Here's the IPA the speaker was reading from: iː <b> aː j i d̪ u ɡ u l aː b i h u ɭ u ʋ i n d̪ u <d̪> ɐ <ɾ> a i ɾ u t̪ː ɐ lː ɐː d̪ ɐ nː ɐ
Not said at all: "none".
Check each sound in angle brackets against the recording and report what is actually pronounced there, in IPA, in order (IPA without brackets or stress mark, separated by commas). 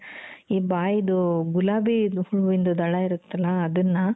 b, d̪, ɭ